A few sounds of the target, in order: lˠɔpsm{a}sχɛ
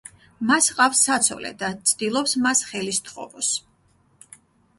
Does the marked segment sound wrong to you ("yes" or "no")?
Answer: no